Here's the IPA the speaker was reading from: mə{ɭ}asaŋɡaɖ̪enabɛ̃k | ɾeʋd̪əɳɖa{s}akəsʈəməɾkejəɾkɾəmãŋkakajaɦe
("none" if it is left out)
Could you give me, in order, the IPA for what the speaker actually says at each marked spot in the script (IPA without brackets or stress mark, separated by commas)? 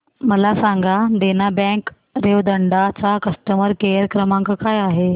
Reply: l, t͡s